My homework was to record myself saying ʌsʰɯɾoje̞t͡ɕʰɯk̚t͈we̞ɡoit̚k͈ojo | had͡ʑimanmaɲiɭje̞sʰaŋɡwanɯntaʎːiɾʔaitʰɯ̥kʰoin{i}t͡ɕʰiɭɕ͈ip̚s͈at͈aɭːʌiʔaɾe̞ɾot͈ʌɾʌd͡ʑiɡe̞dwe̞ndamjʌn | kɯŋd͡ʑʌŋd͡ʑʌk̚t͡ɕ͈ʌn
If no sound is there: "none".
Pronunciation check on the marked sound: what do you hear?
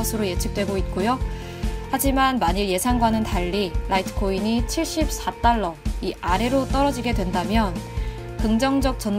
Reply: i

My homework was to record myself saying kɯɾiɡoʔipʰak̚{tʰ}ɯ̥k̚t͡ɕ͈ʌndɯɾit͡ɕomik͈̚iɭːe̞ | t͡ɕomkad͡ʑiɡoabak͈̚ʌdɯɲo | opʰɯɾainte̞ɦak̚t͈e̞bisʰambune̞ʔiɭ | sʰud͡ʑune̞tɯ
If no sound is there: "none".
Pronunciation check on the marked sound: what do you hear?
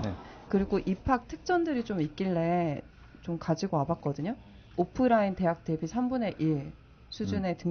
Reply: tʰ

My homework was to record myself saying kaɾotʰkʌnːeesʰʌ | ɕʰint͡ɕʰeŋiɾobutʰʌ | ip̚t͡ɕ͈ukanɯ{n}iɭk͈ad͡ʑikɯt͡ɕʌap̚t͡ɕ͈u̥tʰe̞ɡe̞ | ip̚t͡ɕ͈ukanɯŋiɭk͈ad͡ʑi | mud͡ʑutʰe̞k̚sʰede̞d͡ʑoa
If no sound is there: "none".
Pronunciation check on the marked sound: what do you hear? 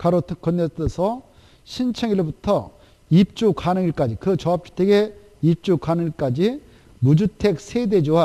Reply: ŋ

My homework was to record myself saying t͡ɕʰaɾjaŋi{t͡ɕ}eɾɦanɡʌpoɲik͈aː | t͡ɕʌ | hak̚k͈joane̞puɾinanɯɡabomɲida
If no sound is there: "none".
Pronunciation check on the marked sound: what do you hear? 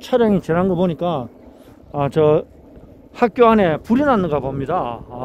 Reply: t͡ɕ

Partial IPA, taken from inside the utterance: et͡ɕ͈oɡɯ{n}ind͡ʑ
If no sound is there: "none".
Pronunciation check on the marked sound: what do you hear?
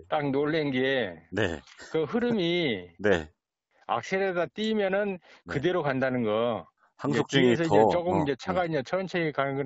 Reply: m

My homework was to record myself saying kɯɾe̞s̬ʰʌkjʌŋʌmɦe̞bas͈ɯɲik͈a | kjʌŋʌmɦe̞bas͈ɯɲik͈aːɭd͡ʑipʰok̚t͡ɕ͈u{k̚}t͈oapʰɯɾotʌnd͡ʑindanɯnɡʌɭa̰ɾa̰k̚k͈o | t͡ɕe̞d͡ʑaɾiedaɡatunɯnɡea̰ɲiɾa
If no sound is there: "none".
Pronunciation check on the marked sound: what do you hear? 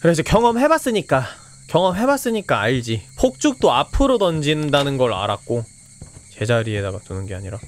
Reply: k̚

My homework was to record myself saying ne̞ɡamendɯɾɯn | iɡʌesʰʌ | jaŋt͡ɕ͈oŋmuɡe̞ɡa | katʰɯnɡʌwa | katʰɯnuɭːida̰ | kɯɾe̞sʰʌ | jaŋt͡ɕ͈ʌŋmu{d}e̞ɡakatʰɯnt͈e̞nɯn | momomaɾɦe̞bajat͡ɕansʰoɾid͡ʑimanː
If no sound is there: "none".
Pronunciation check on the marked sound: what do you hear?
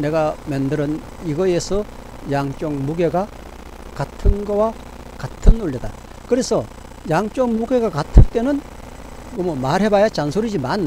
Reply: ɡ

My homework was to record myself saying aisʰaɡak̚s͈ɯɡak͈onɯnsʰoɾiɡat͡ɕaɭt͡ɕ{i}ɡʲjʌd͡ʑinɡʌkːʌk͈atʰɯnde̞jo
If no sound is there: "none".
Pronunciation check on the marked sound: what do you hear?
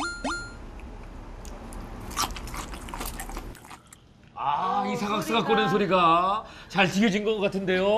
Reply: i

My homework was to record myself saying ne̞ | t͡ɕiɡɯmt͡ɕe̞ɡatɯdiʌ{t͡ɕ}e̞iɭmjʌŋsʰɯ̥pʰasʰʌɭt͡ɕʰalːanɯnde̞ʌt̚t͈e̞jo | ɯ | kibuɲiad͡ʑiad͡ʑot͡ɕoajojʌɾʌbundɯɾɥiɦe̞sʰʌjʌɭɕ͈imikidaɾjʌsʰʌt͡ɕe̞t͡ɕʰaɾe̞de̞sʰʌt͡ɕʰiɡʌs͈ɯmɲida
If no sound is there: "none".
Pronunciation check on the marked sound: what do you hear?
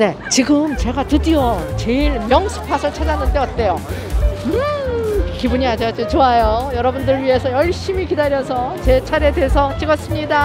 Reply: t͡ɕ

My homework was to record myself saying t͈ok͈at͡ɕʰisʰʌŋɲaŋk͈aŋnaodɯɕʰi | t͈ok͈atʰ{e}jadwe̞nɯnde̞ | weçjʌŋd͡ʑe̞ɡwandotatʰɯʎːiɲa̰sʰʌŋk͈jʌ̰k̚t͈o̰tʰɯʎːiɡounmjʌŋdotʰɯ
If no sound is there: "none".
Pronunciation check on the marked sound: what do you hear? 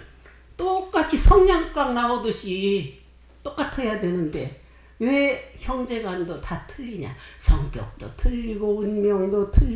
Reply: e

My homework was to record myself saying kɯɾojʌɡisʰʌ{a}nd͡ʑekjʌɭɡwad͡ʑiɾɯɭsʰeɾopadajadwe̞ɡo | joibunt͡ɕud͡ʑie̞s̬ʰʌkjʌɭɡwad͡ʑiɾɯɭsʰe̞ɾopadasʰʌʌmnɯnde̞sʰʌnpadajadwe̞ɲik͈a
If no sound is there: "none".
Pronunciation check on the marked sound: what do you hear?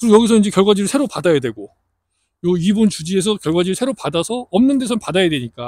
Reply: i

